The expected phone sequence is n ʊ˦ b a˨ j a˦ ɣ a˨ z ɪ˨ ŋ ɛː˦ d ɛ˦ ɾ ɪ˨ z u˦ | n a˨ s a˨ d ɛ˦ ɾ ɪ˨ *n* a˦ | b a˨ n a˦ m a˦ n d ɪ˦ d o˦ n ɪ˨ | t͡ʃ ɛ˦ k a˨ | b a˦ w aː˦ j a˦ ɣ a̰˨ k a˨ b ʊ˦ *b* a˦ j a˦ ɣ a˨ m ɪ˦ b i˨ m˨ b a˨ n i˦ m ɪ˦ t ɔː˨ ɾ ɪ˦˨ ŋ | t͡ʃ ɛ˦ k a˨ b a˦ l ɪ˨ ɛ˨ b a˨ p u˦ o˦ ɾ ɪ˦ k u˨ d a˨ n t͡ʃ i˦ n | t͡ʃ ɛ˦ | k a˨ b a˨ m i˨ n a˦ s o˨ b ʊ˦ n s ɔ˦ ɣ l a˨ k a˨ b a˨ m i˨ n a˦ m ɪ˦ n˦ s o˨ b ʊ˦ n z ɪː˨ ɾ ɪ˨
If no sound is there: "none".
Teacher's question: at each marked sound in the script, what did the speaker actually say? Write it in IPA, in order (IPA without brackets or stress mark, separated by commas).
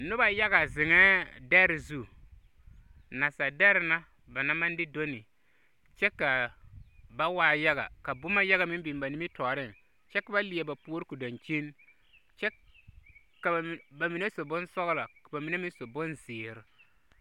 n, m